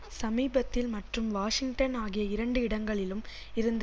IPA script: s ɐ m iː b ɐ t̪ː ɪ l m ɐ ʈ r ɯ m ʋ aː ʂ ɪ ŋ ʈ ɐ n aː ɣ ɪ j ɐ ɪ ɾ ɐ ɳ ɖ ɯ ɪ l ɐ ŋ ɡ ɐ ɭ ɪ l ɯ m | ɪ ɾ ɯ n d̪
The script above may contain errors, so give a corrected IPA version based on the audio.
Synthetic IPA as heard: s ɐ m iː b ɐ t̪ː ɪ l m ɐ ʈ r ɯ m ʋ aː ʂ ɪ ŋ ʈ ɐ n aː ɣ ɪ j ɐ ɪ ɾ ɐ ɳ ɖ ɯ ɪ ɽ ɐ ŋ ɡ ɐ ɭ ɪ l ɯ m | ɪ ɾ ɯ n d̪